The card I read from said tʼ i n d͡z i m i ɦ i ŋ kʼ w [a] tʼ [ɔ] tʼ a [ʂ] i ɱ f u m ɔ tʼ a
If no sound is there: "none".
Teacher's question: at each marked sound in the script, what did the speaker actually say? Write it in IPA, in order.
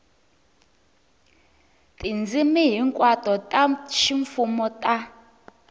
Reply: a, ɔ, ʃ

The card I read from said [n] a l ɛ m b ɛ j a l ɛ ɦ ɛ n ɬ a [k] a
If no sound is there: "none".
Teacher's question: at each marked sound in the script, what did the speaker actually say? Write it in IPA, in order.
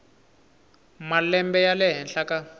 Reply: m, k

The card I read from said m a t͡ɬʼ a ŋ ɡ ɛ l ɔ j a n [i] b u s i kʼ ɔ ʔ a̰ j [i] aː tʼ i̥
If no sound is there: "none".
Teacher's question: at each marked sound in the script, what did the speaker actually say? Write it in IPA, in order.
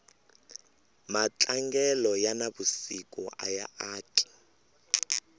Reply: a, a

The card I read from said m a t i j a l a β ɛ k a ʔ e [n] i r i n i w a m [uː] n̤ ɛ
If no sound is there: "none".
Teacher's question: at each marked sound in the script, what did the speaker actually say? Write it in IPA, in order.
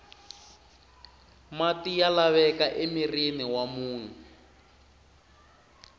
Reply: m, uː

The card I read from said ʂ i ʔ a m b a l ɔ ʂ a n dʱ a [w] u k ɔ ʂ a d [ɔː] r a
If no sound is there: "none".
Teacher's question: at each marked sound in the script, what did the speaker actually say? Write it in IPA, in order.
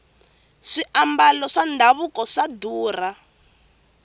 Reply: β, uː

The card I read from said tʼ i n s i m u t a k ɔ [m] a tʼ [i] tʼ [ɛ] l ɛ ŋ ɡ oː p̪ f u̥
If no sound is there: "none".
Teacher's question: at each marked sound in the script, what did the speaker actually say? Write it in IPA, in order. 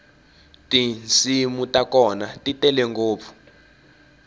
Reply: n, i, ɛ

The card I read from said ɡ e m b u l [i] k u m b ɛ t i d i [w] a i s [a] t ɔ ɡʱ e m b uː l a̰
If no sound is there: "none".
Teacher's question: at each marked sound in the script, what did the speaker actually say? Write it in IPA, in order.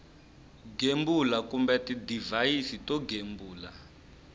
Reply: a, v, i

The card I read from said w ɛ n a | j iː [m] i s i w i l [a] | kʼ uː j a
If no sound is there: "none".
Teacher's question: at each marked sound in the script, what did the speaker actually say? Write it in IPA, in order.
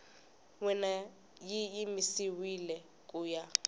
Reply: m, ɛ

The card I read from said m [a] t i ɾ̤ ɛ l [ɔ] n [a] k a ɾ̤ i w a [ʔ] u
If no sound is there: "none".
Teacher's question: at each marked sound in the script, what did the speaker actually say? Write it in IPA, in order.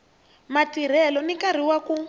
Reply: a, ɔ, i, k

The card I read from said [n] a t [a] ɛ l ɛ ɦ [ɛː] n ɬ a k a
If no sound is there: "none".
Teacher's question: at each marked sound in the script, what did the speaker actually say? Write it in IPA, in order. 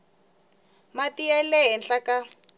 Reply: m, i, ɛ

